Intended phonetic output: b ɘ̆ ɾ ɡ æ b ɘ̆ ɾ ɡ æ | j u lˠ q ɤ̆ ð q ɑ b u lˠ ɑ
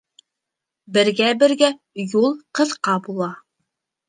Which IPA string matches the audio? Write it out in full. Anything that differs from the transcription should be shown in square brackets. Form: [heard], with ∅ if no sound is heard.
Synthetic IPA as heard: b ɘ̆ ɾ ɡ æ b ɘ̆ ɾ ɡ æ | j u lˠ q ɤ̆ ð q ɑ b u lˠ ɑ